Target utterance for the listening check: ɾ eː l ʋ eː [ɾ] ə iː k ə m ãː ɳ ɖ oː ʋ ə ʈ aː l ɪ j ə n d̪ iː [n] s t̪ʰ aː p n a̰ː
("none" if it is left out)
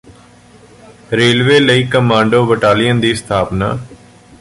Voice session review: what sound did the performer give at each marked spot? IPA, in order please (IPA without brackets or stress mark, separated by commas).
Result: l, none